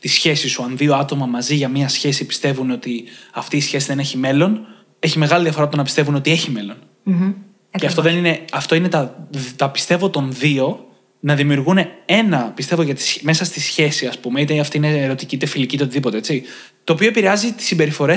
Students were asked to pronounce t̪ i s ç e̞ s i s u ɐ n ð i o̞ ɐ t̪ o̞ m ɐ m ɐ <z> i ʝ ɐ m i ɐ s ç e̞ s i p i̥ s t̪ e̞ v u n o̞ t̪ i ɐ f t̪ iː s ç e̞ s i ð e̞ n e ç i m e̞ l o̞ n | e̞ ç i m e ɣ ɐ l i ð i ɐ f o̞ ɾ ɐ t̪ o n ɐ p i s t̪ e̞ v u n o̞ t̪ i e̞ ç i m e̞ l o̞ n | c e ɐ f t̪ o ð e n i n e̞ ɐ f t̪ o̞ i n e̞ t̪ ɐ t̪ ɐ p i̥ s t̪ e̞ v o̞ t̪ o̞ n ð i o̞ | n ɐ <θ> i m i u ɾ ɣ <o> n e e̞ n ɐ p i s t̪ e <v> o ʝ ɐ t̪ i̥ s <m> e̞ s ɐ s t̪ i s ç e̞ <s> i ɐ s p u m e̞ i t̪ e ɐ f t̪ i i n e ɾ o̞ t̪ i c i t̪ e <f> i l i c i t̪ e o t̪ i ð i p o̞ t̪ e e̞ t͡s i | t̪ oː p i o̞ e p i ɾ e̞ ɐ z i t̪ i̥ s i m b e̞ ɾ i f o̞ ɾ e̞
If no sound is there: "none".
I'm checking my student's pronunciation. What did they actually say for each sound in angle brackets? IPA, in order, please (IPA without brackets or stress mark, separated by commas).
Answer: z, ð, u, v, m, s, f